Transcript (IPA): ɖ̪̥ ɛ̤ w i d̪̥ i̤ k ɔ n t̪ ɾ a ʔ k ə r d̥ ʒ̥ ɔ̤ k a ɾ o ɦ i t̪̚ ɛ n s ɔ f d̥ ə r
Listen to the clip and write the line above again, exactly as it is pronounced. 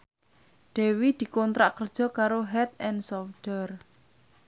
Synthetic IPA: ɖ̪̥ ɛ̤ w i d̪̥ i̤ k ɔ n t̪ ɾ a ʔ k ə r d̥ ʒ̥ ɔ̤ k a ɾ o ɦ ɛ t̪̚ ɛ n s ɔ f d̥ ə r